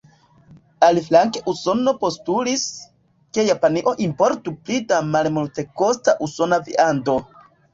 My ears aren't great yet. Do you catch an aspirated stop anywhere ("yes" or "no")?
no